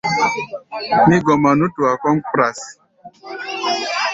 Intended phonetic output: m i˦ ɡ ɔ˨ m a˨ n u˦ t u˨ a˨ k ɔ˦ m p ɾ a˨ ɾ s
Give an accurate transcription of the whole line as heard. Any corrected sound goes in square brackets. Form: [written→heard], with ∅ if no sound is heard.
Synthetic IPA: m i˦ ɡ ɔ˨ m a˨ n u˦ t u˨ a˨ k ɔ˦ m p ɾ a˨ [ɾ→∅] s

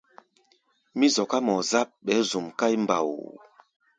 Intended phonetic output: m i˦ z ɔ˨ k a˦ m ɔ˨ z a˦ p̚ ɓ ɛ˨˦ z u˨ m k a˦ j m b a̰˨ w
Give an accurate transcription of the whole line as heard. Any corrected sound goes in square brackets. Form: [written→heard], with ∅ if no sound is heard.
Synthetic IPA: m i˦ z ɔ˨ k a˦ m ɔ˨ z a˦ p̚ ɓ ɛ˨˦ z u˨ m k a˦ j m b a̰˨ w

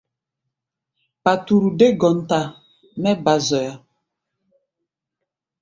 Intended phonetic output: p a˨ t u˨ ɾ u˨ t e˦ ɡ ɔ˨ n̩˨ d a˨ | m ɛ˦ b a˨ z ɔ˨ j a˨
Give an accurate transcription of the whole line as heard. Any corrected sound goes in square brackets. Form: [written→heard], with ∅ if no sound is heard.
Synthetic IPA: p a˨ t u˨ ɾ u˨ [t→d] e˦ ɡ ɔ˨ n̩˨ [d→t] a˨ | m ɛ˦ b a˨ z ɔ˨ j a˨

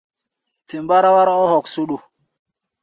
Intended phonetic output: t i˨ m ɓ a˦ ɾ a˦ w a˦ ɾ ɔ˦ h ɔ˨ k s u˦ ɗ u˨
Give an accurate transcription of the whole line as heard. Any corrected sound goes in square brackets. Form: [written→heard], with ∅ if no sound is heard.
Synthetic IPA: t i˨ m [ɓ→b] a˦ ɾ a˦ w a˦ ɾ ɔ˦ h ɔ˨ k s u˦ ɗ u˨

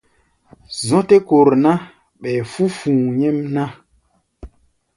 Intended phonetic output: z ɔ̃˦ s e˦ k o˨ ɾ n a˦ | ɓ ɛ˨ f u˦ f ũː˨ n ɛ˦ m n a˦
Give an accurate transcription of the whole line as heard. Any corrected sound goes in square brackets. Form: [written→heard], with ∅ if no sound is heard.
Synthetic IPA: z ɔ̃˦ [s→t] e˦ k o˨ ɾ n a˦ | ɓ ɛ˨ f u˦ f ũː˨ [n→ɲ] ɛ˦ m n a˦

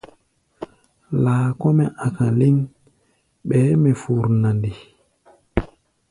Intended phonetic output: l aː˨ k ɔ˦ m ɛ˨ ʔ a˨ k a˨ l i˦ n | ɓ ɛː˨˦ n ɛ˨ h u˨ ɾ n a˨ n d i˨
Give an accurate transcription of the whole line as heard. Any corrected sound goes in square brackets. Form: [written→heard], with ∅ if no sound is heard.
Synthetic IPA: l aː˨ k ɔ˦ m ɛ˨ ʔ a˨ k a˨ l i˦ n | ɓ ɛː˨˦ [n→m] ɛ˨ [h→f] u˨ ɾ n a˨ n d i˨

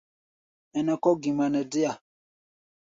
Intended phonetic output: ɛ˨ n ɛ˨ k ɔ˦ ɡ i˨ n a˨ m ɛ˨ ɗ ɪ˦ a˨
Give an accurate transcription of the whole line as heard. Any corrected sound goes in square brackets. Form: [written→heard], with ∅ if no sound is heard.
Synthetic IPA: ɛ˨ n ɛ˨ k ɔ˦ ɡ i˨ [n→m] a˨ [m→n] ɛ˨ [ɗ→d] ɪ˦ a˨

